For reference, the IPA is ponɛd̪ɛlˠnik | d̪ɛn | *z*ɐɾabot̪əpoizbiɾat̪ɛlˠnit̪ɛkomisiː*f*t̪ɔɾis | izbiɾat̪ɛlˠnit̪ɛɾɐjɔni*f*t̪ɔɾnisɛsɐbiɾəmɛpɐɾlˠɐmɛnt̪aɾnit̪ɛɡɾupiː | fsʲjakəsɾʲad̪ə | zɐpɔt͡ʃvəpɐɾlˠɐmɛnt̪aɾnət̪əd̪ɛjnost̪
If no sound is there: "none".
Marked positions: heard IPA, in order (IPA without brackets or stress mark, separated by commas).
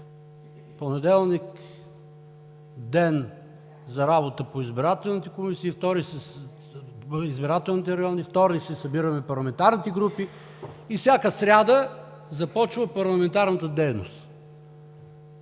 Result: z, f, f